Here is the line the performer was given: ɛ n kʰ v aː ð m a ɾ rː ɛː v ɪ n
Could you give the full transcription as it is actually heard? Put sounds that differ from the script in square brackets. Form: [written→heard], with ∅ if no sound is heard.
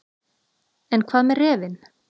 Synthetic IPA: ɛ n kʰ v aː ð m [a→ɛ] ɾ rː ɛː v ɪ n